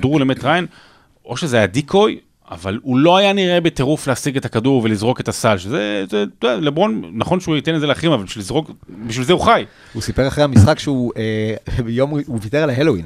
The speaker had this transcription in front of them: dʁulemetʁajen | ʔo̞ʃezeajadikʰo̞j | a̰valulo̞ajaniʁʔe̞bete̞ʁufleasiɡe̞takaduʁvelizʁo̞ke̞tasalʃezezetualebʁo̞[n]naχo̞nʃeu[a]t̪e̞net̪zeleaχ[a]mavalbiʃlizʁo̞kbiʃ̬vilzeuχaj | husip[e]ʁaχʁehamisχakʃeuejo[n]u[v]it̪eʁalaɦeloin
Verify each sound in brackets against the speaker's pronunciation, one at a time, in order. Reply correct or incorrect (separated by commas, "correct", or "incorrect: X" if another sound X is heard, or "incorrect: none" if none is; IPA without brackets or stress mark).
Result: correct, incorrect: i, incorrect: i, correct, incorrect: m, correct